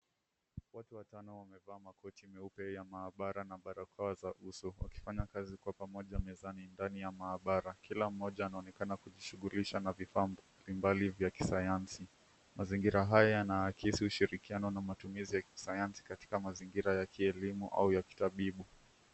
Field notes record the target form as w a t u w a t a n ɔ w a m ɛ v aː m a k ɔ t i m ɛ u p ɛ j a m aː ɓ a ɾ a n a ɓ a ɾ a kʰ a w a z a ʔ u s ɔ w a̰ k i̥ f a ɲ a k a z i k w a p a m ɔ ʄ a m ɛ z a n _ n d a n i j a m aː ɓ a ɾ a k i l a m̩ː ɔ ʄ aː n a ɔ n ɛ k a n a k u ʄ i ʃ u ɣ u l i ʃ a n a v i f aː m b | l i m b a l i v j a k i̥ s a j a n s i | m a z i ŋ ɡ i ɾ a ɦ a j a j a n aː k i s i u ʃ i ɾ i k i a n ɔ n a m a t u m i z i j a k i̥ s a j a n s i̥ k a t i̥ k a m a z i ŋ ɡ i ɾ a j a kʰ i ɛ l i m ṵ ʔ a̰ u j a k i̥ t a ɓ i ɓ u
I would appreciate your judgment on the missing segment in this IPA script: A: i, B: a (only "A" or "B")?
A